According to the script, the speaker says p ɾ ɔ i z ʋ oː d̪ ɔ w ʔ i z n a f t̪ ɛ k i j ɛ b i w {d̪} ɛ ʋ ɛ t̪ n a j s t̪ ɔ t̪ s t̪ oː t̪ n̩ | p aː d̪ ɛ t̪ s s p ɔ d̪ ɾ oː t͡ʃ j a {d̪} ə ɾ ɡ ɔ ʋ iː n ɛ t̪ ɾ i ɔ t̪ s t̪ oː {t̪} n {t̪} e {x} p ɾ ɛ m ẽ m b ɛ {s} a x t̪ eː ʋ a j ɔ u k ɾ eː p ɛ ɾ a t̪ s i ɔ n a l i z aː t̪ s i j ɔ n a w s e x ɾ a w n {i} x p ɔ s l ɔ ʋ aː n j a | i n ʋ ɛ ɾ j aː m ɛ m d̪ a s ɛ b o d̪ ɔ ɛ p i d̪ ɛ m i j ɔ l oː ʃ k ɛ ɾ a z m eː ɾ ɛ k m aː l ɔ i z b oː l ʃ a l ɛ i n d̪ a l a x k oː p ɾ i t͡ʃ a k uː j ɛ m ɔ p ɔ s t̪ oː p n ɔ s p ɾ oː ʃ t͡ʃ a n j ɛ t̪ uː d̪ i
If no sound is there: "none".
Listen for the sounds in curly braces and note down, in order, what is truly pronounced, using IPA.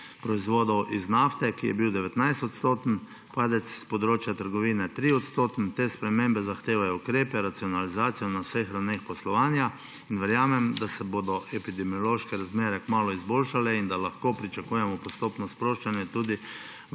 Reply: d̪, t̪, t̪, t̪, s, z, e

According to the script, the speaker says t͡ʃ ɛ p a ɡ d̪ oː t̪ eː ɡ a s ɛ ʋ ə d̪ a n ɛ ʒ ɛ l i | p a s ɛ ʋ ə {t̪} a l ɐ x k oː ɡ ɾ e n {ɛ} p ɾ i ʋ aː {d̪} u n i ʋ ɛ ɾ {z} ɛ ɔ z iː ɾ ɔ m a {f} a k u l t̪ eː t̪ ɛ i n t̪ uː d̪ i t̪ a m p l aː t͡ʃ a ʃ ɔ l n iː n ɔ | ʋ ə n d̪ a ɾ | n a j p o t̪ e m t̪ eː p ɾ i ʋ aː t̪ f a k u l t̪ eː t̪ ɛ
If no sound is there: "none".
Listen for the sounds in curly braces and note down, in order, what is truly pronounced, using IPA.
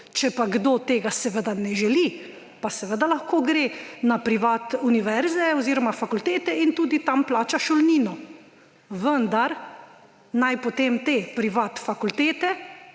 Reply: d̪, a, t̪, z, f

